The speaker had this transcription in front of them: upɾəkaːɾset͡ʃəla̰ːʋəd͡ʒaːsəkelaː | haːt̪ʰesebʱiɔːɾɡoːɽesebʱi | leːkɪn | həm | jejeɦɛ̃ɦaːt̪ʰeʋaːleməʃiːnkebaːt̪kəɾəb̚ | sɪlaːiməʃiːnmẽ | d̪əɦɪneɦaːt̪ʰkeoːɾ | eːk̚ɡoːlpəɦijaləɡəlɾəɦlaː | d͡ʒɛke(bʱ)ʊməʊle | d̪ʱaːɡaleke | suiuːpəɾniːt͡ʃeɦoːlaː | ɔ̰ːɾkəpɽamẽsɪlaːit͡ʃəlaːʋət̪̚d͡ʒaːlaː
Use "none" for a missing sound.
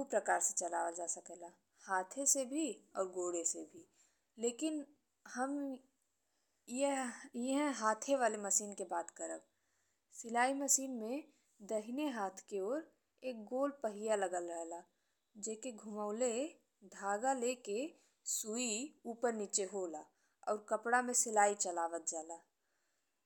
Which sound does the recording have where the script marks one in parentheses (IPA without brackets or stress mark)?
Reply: ɡʱ